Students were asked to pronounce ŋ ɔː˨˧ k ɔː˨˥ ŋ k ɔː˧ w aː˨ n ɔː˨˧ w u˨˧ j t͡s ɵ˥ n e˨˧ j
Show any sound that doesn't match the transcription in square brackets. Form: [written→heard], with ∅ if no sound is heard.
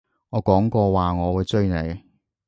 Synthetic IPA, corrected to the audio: ŋ ɔː˨˧ k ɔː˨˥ ŋ k ɔː˧ w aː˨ [n→ŋ] ɔː˨˧ w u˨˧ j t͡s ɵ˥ n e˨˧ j